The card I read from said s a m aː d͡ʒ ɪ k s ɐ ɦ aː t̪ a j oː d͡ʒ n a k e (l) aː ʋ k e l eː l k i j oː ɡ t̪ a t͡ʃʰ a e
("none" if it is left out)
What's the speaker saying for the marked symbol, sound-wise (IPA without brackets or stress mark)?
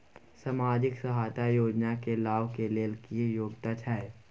l